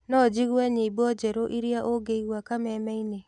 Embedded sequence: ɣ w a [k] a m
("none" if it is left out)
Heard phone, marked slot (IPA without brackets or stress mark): k